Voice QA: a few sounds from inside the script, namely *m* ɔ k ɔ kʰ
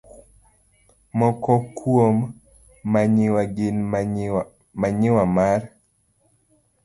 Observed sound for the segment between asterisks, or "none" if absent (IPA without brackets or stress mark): m